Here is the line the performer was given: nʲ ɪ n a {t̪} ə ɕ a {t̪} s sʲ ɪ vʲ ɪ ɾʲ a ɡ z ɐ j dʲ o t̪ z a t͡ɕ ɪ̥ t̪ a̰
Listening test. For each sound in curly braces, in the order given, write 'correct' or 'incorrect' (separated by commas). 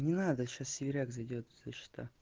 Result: incorrect, incorrect